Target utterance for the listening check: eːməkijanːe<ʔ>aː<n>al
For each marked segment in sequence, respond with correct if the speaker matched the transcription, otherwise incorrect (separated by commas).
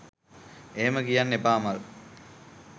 incorrect, incorrect